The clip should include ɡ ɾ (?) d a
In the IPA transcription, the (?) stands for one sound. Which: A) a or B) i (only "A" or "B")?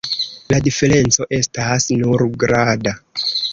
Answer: A